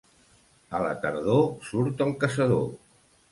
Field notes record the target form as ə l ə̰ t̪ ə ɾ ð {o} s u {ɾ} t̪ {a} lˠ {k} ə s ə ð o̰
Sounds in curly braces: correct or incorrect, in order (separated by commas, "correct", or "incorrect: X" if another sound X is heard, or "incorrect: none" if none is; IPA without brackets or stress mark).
correct, correct, incorrect: ə, correct